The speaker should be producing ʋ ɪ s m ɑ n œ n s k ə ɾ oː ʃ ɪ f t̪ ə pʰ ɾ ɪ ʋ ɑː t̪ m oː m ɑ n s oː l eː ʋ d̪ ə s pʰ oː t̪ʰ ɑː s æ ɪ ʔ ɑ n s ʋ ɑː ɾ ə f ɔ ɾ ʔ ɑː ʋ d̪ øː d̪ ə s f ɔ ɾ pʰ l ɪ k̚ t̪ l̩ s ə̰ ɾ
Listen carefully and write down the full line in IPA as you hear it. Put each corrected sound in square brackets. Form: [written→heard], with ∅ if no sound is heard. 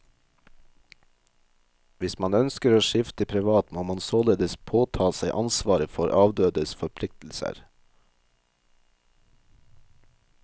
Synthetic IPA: ʋ ɪ s m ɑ n œ n s k ə ɾ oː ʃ ɪ f t̪ ə pʰ ɾ ɪ ʋ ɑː t̪ m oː m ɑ n s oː l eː [ʋ→∅] d̪ ə s pʰ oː t̪ʰ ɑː s æ ɪ ʔ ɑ n s ʋ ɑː ɾ ə f ɔ ɾ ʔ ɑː ʋ d̪ øː d̪ ə s f ɔ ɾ pʰ l ɪ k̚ t̪ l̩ s ə̰ ɾ